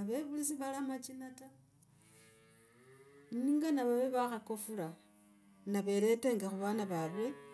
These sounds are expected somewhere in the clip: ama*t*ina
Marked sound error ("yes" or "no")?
yes